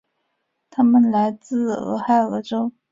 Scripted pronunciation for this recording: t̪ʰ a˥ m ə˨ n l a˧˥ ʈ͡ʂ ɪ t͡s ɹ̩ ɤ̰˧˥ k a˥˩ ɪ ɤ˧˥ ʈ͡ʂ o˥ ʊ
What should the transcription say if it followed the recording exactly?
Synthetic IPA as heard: t̪ʰ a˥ m ə˨ n l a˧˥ ɪ t͡s ɹ̩ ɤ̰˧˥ x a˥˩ ɪ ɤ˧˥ ʈ͡ʂ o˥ ʊ